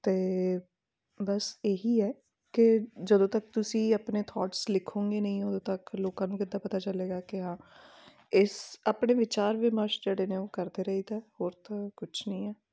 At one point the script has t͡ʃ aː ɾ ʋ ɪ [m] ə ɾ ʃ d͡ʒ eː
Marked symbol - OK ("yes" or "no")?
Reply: yes